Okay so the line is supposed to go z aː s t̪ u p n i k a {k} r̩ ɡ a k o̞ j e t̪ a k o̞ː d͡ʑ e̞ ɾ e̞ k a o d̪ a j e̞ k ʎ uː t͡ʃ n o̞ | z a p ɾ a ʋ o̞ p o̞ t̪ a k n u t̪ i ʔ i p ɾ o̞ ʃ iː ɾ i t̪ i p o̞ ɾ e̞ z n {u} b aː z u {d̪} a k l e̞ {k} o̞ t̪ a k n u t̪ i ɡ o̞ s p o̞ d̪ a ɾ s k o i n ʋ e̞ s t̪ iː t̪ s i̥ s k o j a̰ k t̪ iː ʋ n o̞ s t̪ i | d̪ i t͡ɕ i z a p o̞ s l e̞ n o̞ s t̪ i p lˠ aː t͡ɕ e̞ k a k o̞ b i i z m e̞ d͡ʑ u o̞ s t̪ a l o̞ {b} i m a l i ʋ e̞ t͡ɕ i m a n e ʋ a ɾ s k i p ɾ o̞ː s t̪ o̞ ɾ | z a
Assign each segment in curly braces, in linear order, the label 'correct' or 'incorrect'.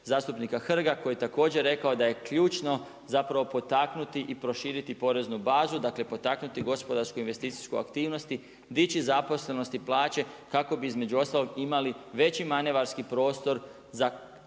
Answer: incorrect: x, correct, correct, incorrect: p, incorrect: ɡ

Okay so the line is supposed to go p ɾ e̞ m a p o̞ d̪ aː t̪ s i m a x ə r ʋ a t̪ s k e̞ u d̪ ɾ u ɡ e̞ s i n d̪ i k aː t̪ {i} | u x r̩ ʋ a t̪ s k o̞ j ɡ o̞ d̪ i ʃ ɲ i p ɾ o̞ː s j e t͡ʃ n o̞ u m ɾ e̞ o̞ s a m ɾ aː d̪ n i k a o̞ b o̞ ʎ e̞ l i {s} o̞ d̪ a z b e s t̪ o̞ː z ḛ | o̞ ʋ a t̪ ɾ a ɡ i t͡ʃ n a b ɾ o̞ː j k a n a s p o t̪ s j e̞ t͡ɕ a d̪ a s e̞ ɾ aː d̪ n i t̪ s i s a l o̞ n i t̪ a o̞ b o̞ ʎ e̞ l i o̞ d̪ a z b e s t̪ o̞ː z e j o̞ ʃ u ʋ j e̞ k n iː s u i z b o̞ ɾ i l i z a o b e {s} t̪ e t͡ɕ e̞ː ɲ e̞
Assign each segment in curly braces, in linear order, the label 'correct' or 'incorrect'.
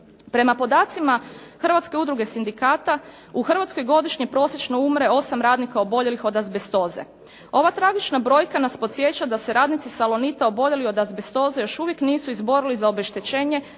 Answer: incorrect: a, incorrect: x, incorrect: ʃ

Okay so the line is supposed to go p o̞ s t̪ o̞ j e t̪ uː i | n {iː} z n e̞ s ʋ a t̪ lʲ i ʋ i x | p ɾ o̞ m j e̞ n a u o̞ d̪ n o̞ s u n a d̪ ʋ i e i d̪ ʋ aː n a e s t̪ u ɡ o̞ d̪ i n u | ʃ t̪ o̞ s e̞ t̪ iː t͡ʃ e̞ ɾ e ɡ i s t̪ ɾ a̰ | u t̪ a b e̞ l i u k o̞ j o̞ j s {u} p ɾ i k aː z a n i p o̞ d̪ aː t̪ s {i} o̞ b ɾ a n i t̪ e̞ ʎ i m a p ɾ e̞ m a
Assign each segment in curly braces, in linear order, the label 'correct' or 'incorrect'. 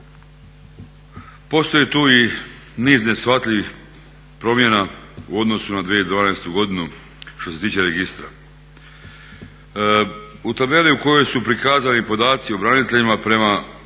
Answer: correct, correct, correct

